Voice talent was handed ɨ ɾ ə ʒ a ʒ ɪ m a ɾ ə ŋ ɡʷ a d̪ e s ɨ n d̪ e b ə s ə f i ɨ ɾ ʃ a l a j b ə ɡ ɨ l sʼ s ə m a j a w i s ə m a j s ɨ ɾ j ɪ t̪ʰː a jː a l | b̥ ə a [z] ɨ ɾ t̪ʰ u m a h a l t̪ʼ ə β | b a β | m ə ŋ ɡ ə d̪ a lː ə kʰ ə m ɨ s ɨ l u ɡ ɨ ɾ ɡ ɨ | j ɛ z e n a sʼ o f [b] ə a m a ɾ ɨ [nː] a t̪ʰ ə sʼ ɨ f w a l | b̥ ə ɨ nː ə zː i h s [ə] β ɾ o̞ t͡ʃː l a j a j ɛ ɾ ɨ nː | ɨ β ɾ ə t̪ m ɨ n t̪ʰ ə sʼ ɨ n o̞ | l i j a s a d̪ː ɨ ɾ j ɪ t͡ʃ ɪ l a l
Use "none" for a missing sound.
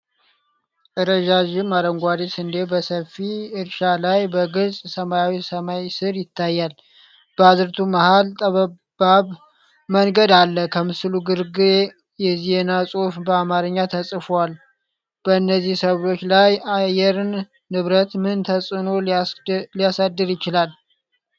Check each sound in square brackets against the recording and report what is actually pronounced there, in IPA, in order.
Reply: z, b, ɲː, ə

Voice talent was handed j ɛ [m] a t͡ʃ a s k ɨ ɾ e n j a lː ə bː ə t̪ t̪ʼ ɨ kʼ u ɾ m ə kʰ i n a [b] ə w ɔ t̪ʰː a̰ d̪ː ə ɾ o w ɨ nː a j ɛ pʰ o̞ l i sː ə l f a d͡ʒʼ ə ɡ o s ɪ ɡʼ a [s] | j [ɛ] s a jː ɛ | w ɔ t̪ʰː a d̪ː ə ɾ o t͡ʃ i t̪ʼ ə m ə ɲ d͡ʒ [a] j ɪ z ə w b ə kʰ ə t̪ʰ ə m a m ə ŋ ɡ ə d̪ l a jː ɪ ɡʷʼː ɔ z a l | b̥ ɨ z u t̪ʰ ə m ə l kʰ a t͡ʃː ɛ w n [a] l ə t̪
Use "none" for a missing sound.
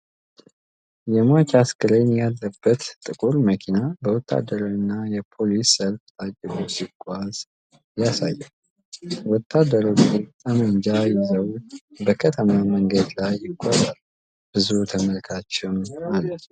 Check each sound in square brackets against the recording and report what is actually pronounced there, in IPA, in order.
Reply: m, b, z, a, a, a

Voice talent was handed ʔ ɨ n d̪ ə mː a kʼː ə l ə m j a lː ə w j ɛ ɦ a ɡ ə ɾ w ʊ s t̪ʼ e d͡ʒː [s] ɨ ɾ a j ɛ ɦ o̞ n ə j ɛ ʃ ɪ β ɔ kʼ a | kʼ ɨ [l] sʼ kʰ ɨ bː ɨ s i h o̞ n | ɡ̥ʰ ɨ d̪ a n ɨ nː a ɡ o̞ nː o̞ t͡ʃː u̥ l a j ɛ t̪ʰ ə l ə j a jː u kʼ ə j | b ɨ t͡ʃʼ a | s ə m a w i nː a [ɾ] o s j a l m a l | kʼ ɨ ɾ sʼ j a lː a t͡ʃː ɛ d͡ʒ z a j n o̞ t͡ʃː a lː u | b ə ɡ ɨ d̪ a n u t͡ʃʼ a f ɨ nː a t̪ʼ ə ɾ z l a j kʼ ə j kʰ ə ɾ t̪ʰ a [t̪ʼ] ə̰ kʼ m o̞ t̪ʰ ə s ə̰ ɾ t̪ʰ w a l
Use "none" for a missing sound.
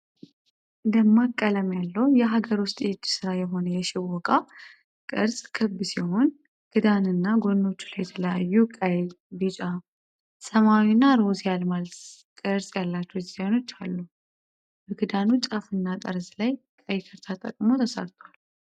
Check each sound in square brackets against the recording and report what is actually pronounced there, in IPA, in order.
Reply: s, ɾ, ɾ, t̪ʼ

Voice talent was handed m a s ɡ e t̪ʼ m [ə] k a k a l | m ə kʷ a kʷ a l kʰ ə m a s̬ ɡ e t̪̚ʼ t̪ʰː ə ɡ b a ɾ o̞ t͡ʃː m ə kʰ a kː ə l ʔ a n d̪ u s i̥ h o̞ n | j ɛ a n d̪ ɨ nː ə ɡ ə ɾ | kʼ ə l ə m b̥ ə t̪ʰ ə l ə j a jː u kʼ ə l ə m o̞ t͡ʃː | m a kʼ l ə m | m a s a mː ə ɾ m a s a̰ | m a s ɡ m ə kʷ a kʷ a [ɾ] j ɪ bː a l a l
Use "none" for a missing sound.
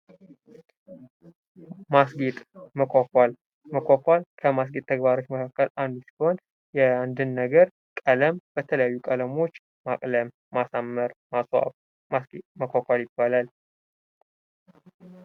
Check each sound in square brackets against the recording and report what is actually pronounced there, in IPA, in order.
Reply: ə, l

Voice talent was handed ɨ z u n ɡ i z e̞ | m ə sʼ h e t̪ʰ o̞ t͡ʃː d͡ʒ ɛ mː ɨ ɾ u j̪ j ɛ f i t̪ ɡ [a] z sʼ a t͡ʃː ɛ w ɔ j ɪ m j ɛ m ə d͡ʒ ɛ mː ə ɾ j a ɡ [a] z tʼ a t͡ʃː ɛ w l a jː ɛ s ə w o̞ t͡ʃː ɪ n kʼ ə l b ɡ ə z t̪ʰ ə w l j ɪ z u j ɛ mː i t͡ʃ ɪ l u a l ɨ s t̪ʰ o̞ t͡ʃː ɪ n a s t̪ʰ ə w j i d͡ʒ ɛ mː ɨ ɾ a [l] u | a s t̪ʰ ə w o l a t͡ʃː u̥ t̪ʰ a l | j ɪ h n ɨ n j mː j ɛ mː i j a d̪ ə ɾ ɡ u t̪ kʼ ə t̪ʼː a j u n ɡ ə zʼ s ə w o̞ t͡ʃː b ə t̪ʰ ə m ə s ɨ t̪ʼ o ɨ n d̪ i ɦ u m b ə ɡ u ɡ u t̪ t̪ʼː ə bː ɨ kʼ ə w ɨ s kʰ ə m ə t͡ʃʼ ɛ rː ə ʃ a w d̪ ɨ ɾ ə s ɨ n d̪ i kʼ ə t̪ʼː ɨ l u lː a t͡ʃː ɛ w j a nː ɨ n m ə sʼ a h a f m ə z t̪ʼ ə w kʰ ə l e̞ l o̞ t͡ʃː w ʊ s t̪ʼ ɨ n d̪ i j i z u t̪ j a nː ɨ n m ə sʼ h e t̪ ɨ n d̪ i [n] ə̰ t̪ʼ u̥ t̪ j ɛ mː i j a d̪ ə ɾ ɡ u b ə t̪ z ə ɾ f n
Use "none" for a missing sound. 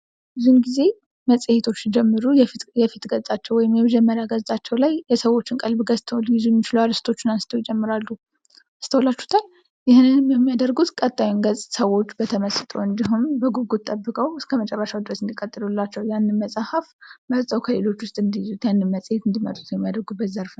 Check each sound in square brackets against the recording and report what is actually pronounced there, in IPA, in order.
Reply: ə, ə, lː, m

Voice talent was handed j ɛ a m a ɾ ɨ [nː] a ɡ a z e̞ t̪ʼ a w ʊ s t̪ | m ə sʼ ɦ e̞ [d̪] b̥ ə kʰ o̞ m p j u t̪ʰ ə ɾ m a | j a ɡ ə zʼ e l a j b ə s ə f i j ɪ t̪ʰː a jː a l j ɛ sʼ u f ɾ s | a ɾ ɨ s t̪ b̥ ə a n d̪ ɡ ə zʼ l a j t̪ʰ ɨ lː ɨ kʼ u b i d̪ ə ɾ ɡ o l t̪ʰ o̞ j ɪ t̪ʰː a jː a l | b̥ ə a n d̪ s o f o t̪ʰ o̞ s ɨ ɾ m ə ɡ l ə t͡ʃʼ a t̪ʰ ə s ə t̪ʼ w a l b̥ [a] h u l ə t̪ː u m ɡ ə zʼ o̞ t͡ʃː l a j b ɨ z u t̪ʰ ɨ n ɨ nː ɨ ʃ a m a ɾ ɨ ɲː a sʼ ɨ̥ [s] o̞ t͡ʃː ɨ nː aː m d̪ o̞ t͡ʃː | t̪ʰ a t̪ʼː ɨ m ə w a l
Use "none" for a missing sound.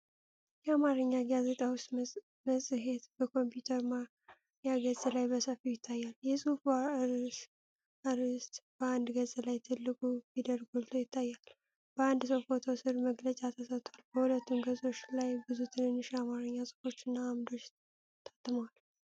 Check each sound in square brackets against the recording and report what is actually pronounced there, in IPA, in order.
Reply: ɲː, t̪, ə, f

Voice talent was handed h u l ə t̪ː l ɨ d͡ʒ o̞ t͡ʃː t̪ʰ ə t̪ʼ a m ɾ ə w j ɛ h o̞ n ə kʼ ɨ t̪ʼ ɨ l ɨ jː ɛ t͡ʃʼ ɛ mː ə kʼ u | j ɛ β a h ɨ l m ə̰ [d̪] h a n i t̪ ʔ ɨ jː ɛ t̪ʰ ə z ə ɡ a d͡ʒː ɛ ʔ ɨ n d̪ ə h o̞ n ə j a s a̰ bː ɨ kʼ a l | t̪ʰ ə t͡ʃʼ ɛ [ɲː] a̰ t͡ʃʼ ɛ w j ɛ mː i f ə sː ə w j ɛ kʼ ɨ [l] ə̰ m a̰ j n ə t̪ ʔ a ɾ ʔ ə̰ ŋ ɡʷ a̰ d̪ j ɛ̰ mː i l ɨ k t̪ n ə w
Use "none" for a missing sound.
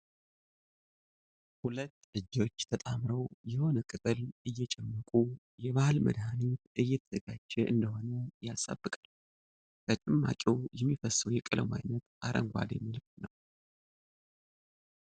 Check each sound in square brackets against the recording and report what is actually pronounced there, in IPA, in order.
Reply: d̪, mː, l

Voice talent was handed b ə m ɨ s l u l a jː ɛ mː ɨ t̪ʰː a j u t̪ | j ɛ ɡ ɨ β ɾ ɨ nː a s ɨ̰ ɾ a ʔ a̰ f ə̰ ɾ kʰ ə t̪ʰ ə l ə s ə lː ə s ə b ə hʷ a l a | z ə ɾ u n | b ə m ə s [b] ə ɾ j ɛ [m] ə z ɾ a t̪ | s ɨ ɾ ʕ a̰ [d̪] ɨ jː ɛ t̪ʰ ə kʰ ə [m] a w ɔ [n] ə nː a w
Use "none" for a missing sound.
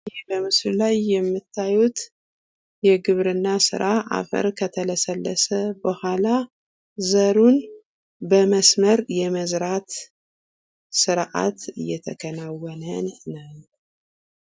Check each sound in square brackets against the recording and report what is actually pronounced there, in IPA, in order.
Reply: m, m, t̪, n, n

